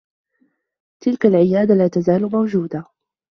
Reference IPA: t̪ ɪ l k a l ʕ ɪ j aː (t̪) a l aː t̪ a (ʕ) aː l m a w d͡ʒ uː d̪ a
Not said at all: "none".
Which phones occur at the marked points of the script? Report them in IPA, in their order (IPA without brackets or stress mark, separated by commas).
d̪, z